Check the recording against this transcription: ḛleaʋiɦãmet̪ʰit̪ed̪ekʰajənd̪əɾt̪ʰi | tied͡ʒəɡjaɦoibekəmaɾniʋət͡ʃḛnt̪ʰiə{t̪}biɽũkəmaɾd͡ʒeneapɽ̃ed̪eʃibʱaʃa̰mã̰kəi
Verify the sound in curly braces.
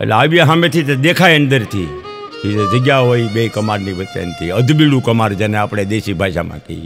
incorrect: d̪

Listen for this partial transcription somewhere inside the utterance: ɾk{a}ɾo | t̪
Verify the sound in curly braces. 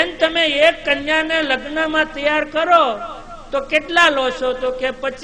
incorrect: ə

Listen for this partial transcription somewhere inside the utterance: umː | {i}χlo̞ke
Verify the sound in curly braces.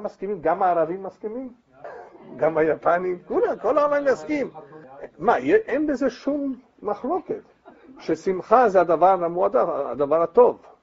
incorrect: a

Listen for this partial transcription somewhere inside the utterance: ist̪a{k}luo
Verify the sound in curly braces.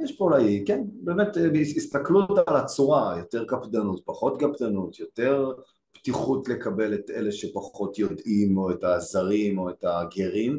correct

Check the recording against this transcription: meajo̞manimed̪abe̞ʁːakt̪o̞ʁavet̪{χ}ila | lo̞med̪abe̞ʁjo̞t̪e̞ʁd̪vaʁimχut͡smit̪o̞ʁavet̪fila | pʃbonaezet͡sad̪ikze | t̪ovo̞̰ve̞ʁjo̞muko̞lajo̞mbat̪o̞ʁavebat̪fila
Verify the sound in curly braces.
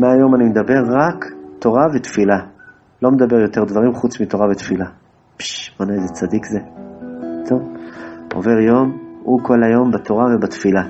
incorrect: f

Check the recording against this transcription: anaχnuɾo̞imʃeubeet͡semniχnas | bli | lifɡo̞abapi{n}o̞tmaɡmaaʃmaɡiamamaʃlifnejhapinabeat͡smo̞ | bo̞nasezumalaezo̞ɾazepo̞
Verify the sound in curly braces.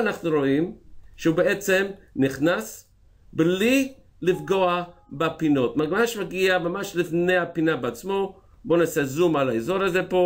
correct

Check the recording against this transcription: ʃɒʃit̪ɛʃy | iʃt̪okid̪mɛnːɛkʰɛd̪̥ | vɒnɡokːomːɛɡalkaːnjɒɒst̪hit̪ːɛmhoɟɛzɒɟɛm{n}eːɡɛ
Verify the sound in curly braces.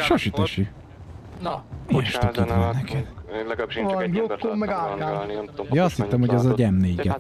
correct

